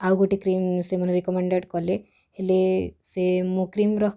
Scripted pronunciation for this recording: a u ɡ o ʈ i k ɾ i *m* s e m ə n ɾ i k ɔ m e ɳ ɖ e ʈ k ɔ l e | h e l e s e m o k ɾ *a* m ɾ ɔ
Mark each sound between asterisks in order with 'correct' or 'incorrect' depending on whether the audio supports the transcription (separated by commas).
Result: correct, incorrect